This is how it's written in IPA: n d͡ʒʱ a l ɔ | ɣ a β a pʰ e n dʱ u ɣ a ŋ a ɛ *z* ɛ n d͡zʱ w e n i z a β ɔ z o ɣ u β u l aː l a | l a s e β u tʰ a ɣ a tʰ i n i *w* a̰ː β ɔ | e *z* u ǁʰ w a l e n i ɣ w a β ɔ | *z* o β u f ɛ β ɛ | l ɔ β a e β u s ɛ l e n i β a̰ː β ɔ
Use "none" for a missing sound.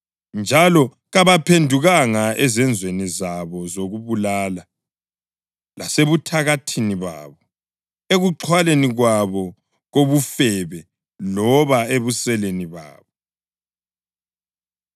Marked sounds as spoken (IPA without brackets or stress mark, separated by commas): z, β, ɣ, ɣ